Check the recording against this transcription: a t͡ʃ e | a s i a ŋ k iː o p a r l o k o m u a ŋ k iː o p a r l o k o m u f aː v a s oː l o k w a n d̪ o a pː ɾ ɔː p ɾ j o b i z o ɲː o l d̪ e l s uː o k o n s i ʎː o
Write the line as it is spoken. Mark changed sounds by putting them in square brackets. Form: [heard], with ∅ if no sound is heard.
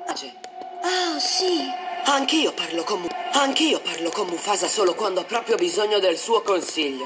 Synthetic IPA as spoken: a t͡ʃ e | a s i a ŋ k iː o p a r l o k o m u a ŋ k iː o p a r l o k o m u f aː [z] a s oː l o k w a n d̪ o a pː ɾ ɔː p ɾ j o b i z o ɲː o [∅] d̪ e l s uː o k o n s i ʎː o